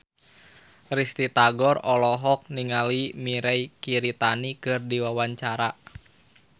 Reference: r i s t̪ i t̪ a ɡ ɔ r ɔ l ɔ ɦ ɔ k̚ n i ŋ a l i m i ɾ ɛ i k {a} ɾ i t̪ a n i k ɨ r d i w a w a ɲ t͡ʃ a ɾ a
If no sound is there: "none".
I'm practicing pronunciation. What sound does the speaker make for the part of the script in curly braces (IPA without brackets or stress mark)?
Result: i